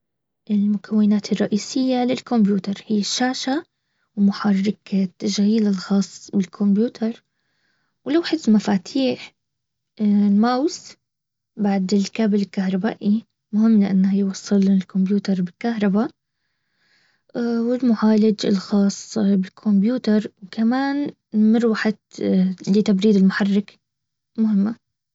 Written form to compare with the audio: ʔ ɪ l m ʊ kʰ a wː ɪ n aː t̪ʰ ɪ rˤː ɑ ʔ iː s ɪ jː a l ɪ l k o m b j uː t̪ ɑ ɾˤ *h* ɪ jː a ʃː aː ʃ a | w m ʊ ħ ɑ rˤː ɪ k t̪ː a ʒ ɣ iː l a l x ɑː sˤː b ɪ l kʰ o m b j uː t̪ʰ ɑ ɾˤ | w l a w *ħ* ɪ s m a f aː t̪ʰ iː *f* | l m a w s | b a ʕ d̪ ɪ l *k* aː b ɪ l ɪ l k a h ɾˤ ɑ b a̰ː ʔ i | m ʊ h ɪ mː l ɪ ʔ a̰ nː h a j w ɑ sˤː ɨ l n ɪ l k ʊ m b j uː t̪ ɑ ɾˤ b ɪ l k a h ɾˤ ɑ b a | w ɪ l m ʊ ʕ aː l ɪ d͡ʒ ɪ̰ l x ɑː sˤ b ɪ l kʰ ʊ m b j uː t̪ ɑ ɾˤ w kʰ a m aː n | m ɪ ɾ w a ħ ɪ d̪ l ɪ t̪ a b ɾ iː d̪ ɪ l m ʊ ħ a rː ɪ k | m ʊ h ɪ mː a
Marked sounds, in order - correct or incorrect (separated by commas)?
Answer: correct, correct, incorrect, correct